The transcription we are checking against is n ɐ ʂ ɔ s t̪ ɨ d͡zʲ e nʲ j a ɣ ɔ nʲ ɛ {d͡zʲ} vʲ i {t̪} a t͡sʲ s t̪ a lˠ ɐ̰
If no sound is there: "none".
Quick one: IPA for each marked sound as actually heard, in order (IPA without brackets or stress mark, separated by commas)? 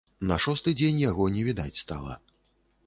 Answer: none, d̪